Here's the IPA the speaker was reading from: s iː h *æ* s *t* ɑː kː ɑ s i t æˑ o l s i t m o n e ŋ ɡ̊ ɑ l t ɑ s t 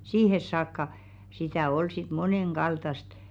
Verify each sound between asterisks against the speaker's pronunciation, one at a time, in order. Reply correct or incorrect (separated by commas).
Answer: incorrect, incorrect